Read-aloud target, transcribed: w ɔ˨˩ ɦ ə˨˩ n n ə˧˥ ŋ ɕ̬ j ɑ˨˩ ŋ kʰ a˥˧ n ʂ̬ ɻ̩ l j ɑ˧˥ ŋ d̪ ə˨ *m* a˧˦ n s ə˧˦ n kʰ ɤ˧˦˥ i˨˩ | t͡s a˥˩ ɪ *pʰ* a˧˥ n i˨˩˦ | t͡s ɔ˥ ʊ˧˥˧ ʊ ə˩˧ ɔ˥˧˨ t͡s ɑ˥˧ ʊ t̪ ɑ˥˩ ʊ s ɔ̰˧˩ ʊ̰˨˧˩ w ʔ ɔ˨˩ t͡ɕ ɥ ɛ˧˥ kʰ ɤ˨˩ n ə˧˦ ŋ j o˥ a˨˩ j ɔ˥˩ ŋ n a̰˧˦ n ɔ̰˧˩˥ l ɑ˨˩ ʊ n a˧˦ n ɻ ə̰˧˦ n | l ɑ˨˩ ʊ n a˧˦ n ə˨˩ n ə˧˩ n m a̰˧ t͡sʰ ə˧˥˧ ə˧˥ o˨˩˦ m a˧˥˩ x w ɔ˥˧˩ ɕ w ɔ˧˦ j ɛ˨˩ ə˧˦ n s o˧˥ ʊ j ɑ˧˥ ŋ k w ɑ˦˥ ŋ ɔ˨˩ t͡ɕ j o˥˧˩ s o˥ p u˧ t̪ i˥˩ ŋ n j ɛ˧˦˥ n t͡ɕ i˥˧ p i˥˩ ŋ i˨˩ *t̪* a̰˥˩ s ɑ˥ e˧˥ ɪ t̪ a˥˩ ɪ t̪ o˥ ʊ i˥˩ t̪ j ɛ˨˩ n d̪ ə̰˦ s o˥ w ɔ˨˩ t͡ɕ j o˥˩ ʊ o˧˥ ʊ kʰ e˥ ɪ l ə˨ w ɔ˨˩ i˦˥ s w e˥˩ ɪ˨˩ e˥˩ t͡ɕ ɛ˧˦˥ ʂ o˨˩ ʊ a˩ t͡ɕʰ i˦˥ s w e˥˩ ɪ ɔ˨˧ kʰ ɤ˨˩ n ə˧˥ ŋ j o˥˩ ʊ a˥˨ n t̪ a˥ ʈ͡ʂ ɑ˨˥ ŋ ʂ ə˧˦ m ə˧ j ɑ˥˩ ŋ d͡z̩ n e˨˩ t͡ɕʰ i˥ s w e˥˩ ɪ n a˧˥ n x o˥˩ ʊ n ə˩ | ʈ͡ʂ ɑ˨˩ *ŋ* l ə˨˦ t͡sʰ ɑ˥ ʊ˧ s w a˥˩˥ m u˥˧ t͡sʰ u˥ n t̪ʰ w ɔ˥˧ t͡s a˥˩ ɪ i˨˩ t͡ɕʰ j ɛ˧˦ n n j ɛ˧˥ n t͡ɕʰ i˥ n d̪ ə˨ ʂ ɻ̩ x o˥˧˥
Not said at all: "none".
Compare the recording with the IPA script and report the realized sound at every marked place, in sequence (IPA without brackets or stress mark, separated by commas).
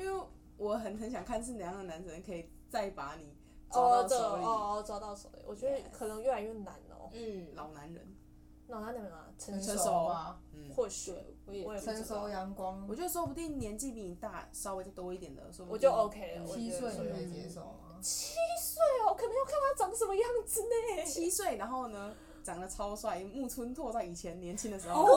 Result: n, p, t̪, ŋ